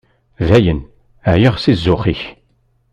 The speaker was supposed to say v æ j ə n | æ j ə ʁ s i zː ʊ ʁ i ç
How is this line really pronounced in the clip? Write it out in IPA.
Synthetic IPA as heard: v æ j ə n | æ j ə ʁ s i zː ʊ χ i ç